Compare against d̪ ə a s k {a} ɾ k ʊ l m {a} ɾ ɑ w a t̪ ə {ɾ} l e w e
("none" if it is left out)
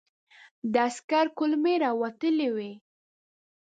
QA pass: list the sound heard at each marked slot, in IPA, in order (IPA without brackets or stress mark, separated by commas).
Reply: a, e, none